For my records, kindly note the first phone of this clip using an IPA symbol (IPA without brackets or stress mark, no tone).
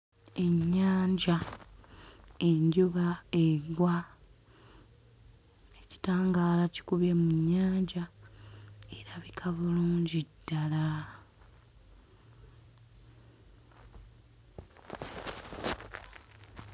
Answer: e̞